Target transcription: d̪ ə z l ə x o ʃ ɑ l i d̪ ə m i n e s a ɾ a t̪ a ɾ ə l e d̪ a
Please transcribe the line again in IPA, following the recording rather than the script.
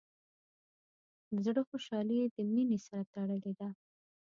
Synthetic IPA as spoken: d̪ ə z ɽ ə x o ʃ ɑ l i d̪ ə m i n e s a ɾ a t̪ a ɽ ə l e d̪ a